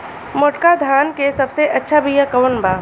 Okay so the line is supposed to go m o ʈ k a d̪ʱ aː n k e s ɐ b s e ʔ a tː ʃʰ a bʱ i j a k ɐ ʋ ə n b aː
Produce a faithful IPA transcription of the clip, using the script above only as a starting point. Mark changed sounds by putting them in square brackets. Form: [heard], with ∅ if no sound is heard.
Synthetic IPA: m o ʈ k a d̪ʱ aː n k e s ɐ b s e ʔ [ɐ] tː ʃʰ a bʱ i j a k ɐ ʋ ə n b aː

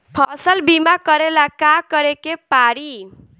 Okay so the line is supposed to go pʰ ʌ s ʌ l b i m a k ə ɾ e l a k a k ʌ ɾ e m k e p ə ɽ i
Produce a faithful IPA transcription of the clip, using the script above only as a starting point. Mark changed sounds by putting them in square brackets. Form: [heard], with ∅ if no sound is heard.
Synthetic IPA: pʰ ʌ s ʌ l b i m a k [ʌ] ɾ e l a k a k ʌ ɾ e [∅] k e p [a] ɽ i

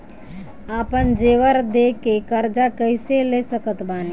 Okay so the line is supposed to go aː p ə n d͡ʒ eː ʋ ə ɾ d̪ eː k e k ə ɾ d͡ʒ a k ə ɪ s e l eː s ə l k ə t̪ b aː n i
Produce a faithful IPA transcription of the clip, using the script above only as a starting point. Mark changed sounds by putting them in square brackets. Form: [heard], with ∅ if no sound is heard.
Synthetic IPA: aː p ə n d͡ʒ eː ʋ ə ɾ d̪ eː k e k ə ɾ d͡ʒ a k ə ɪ s e l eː s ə [∅] k ə t̪ b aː n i

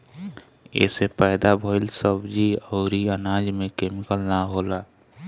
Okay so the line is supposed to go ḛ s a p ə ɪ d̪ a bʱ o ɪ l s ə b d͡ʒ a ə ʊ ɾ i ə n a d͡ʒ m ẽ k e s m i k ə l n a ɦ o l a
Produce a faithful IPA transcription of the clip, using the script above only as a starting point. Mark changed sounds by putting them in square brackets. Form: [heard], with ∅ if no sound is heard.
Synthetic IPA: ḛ s [e] p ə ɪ d̪ a bʱ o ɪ l s ə b d͡ʒ [i] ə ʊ ɾ i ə n a d͡ʒ m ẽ k e [∅] m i k ə l n a ɦ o l a

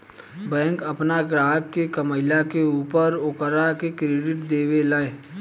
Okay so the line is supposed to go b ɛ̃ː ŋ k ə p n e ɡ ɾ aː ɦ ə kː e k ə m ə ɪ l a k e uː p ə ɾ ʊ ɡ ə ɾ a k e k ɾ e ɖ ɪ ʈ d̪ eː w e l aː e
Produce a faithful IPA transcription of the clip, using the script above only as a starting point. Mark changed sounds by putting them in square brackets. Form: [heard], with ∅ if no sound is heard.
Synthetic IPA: b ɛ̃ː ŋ k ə p n [a] ɡ ɾ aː ɦ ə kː e k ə m ə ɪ l a k e uː p ə ɾ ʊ [k] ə ɾ a k e k ɾ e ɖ ɪ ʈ d̪ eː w e l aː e

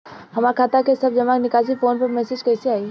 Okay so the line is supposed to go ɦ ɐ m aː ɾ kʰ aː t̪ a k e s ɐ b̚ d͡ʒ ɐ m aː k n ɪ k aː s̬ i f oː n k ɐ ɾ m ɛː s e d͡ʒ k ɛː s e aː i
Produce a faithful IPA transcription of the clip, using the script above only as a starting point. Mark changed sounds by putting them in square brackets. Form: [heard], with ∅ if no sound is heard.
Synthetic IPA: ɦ ɐ m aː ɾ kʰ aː t̪ a k e s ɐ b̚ d͡ʒ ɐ m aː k n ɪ k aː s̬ i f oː n [p] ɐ ɾ m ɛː s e d͡ʒ k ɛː s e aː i

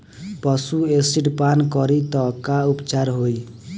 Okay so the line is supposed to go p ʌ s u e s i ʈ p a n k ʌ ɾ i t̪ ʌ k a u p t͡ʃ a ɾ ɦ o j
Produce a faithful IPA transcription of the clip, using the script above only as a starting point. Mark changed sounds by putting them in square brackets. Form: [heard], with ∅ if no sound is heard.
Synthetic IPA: p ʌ s u e s i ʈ p a n k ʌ ɾ i t̪ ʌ k a u p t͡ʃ a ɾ ɦ o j

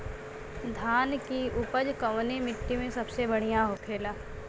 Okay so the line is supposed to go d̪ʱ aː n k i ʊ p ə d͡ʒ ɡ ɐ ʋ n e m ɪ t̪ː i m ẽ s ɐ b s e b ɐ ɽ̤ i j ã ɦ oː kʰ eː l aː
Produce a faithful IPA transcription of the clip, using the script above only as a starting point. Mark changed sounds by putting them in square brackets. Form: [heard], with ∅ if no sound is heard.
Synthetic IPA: d̪ʱ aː n k i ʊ p ə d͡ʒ [k] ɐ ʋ n e m ɪ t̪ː i m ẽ s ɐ b s e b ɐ ɽ̤ i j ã ɦ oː kʰ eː l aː

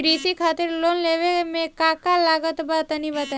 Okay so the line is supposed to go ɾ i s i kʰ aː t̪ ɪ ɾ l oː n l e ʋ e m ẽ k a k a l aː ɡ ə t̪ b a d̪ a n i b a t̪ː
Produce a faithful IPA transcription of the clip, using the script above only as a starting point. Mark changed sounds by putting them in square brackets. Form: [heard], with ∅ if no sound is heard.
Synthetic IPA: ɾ i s i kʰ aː t̪ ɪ ɾ l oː n l e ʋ e m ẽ k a k a l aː ɡ ə t̪ b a [t̪] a n i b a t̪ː

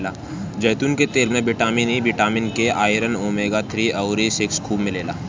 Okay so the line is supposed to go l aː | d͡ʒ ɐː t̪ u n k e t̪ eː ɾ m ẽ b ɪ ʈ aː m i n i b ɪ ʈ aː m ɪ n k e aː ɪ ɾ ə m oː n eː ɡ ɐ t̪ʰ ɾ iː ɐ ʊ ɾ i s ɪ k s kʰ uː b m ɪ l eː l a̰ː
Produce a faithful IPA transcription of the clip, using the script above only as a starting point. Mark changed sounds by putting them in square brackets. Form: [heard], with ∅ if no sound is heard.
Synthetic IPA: l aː | d͡ʒ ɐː t̪ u n k e t̪ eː ɾ m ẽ b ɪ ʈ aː m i n i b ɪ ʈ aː m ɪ n k e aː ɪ ɾ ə [n] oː [m] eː ɡ [a] t̪ʰ ɾ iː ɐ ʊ ɾ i s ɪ k s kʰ uː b m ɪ l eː l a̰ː

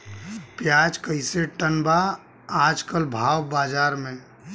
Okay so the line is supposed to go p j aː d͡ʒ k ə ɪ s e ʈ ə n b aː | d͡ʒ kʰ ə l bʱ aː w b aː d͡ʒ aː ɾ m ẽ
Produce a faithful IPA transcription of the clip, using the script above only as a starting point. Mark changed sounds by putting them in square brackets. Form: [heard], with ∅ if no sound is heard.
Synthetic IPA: p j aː d͡ʒ k ə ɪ s e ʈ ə n b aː | d͡ʒ [k] ə l bʱ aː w b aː d͡ʒ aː ɾ m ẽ

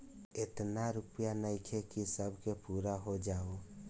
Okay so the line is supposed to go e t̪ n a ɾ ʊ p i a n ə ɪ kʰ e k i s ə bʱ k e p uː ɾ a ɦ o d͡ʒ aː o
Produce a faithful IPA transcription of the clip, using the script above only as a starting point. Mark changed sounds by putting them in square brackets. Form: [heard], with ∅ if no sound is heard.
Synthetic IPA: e t̪ n a ɾ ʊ p [j] a n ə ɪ kʰ e k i s ə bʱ k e p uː ɾ a ɦ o d͡ʒ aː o

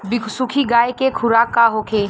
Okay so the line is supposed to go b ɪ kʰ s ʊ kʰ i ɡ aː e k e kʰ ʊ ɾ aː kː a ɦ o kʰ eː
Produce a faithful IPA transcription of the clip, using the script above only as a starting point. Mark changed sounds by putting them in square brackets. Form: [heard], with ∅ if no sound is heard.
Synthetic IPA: b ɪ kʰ s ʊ kʰ i ɡ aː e k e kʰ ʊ ɾ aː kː a ɦ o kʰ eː

